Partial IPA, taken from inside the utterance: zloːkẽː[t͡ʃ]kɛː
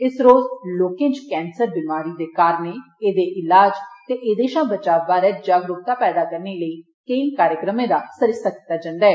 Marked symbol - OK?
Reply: yes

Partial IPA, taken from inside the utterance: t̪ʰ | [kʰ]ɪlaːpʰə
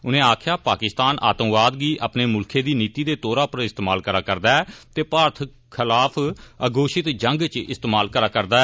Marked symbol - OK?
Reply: yes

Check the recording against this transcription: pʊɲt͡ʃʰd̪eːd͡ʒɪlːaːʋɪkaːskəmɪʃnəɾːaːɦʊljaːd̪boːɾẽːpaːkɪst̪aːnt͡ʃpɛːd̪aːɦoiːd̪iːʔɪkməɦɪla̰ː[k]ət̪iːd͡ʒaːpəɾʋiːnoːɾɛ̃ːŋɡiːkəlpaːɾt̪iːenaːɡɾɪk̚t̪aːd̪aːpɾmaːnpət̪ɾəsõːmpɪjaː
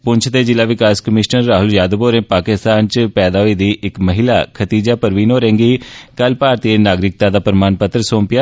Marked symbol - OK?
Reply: no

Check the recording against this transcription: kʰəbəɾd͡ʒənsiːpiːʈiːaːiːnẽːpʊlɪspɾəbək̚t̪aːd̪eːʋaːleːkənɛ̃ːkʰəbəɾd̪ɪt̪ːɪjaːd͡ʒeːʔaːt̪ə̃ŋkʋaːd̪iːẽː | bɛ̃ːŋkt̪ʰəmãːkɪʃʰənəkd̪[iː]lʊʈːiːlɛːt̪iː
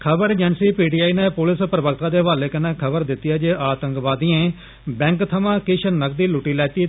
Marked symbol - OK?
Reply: yes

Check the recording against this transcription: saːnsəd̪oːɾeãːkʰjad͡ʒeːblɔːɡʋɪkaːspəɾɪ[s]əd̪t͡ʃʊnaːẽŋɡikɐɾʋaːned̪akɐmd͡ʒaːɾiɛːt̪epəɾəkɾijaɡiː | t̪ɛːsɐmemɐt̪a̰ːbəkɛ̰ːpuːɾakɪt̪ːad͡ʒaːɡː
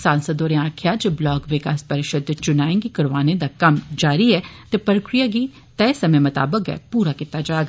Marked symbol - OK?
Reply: no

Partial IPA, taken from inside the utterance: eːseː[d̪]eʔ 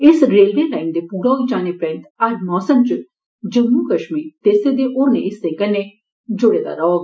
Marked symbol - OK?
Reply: yes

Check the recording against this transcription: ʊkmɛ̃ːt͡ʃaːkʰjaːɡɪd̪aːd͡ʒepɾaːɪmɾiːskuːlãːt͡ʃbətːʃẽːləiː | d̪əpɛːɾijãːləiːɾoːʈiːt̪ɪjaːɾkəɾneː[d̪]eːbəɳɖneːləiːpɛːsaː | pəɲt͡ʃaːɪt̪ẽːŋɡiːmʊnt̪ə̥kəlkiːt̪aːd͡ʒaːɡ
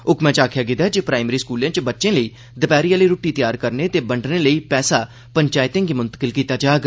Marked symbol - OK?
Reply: no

